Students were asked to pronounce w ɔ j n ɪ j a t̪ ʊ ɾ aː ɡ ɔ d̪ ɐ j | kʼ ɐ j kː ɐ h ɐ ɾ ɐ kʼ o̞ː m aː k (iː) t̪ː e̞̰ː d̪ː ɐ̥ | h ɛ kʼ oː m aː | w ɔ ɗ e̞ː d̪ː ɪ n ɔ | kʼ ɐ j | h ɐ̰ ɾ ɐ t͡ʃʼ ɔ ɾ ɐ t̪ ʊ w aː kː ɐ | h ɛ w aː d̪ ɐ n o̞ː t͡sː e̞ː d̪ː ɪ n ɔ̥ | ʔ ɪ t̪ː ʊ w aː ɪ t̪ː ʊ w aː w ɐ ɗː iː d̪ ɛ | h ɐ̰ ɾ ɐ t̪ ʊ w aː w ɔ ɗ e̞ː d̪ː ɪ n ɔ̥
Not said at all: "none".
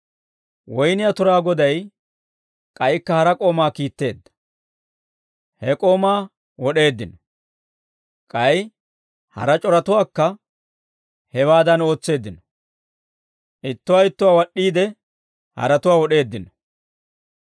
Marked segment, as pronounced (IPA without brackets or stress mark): iː